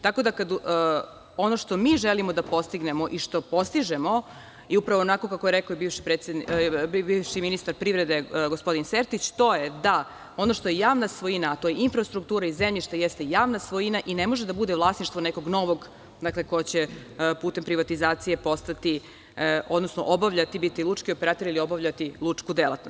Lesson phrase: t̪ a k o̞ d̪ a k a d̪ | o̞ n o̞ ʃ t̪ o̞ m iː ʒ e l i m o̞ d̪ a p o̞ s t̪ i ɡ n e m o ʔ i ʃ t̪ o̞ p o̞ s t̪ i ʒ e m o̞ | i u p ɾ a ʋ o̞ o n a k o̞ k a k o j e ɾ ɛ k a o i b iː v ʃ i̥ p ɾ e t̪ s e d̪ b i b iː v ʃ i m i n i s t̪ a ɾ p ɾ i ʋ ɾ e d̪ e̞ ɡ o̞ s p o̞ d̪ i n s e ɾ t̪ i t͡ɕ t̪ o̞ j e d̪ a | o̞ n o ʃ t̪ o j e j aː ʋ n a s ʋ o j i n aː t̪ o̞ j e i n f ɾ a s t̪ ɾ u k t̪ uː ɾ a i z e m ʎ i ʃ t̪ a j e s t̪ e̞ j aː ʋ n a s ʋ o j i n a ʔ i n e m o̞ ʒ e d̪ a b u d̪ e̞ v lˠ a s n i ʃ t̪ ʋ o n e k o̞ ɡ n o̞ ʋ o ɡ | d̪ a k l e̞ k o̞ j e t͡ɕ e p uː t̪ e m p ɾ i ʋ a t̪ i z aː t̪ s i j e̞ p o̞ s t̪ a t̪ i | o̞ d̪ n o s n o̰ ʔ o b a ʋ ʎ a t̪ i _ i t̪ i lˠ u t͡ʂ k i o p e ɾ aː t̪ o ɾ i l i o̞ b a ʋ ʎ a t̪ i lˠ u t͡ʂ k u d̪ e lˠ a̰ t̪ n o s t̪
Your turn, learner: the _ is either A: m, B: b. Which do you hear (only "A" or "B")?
B